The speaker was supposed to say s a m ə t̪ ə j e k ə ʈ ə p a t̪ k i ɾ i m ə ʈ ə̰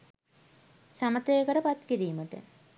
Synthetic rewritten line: s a m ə t̪ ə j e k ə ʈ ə p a t̪ k i ɾ iː m ə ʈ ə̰